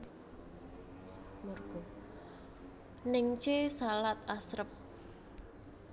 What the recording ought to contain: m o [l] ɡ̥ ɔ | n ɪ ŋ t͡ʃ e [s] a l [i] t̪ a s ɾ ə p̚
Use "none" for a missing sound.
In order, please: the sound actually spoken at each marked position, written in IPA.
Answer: r, s, a

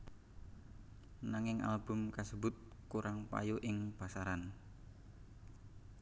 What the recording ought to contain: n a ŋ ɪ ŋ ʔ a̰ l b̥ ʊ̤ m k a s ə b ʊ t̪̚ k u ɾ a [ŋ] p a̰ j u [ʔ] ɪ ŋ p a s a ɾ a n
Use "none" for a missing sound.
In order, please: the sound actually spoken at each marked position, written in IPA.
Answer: ŋ, ʔ

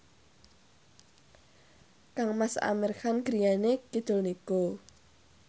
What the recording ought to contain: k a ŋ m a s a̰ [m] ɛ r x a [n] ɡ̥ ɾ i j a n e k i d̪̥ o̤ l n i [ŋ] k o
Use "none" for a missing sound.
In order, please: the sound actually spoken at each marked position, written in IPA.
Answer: m, n, none

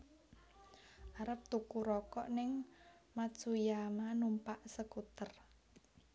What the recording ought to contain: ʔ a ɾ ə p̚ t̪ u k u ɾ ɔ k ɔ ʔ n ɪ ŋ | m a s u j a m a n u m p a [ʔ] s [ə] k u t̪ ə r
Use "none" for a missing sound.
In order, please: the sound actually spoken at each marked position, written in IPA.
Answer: ʔ, ə

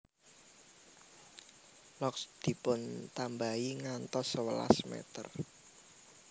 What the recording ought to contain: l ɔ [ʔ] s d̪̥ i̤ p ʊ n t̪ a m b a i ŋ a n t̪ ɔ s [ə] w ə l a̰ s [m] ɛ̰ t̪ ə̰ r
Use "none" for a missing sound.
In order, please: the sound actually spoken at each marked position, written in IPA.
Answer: k, ə, m

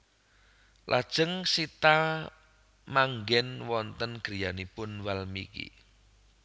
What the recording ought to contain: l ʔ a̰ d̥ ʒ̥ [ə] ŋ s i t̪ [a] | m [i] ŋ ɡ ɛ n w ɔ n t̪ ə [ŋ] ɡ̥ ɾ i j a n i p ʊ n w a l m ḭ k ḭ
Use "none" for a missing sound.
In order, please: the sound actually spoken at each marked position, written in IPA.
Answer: ə, a, a, n

